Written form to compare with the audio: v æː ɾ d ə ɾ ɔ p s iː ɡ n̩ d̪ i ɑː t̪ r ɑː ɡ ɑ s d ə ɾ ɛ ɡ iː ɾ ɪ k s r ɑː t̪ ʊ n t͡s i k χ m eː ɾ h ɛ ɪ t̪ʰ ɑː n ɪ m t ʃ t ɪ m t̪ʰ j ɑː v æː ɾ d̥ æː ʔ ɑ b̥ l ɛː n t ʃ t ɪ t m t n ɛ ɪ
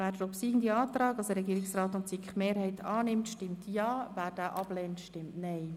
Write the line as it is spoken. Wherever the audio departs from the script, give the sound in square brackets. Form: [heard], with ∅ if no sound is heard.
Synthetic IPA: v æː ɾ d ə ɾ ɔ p s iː ɡ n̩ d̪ i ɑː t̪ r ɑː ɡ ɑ s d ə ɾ ɛ ɡ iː ɾ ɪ k s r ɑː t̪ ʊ n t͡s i k χ m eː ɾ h ɛ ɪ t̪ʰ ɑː n ɪ m t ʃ t ɪ m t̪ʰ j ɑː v æː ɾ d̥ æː ʔ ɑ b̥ l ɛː n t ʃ t ɪ [∅] m t n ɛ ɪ